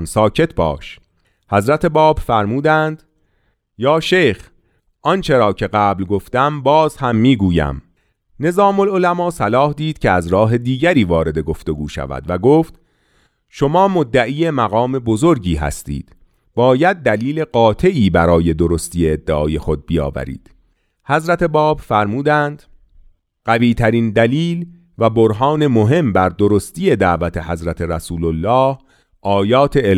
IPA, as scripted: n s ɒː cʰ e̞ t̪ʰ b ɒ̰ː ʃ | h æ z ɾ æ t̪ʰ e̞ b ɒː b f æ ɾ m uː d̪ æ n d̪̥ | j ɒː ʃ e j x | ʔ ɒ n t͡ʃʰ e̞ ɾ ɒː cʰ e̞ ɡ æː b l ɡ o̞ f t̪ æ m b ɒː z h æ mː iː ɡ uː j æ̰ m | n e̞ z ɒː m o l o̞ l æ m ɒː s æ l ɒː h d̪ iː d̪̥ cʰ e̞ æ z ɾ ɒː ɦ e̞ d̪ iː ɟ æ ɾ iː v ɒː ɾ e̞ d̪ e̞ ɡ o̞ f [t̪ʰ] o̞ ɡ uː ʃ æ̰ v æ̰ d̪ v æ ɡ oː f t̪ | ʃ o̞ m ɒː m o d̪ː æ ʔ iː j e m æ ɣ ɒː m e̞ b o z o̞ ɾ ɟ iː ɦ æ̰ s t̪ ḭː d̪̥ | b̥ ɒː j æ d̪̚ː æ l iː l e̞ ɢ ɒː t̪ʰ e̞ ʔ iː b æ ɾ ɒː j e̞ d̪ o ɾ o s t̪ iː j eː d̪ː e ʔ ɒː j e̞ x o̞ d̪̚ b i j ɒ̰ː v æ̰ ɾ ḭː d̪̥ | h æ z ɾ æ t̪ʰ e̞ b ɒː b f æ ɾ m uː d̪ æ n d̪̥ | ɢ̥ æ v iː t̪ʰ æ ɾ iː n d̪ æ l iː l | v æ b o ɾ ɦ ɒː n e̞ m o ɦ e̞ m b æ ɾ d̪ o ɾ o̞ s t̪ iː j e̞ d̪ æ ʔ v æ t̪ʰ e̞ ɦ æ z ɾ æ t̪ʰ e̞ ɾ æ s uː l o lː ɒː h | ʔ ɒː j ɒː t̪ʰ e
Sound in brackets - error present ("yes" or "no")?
yes